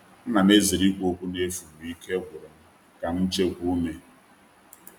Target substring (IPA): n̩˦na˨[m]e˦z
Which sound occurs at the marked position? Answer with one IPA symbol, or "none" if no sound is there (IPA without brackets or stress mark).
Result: m